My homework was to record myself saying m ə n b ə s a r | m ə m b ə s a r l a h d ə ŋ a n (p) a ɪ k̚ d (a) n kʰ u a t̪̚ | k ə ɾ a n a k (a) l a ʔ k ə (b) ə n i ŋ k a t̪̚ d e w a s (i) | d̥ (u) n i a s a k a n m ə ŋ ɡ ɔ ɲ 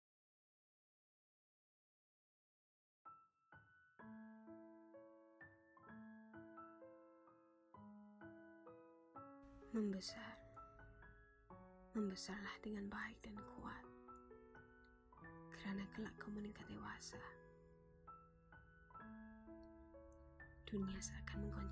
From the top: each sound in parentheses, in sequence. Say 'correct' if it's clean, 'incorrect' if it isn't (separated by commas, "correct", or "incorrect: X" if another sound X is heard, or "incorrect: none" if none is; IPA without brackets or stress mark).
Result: incorrect: b, correct, incorrect: ə, incorrect: m, incorrect: a, correct